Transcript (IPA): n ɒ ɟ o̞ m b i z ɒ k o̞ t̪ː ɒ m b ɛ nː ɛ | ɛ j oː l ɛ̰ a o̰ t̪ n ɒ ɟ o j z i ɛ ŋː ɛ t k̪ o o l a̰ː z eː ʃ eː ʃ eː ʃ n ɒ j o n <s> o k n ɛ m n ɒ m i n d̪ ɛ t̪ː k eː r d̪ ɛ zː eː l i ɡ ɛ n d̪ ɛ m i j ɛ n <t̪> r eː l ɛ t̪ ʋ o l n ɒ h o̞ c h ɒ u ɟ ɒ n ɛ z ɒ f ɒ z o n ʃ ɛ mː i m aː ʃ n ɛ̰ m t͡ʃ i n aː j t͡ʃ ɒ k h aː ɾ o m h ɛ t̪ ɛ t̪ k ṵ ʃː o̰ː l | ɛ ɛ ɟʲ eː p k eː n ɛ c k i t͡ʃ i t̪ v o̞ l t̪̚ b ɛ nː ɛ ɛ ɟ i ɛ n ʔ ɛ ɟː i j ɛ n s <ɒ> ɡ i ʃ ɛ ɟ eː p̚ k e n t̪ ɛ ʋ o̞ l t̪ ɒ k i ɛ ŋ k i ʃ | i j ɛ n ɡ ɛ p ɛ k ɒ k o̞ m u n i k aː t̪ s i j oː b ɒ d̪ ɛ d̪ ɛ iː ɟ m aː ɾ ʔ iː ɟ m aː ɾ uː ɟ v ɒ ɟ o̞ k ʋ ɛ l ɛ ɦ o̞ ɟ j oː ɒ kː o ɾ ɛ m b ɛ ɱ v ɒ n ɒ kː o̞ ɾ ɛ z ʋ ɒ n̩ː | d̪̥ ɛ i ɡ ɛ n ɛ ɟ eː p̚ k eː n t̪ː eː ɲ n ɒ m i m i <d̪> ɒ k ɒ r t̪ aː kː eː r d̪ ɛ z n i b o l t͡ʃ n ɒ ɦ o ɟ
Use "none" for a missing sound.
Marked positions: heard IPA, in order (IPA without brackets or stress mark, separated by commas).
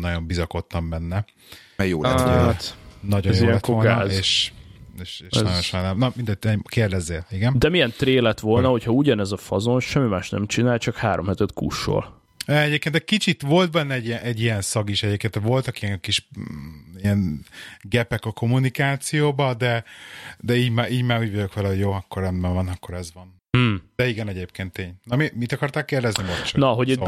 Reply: ʃ, t̪, ɒ, t̪